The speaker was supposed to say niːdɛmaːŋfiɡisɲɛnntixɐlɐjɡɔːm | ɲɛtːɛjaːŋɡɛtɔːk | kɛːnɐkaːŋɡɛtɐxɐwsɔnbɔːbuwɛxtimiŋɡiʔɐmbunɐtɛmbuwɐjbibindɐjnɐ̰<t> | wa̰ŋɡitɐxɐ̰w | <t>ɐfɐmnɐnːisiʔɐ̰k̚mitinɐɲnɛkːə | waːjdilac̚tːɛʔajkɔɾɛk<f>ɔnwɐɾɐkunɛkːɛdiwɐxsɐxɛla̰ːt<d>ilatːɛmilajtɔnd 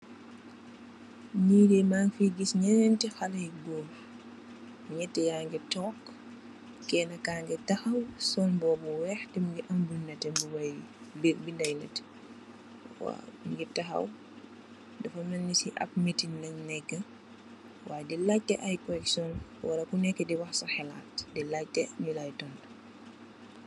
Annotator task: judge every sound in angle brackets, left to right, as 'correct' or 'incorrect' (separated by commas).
correct, incorrect, incorrect, correct